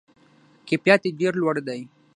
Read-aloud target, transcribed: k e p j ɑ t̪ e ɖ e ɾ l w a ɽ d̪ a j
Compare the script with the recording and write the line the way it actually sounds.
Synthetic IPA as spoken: k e p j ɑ t̪ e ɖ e ɾ l w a ɽ d̪ a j